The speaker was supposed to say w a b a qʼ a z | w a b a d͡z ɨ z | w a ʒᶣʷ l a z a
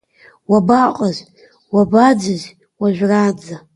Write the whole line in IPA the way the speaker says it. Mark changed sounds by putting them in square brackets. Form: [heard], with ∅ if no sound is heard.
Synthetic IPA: w a b a qʼ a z | w a b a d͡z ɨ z | w a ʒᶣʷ [r] a [d͡z] a